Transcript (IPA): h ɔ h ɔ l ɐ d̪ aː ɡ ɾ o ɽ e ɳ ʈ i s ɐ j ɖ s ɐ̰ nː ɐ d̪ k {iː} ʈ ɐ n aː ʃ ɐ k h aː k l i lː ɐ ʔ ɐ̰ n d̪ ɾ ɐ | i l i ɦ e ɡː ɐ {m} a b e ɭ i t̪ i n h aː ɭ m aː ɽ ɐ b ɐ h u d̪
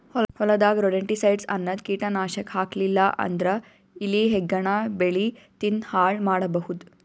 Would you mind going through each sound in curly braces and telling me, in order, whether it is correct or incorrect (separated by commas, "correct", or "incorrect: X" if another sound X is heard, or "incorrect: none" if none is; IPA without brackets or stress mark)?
correct, incorrect: ɳ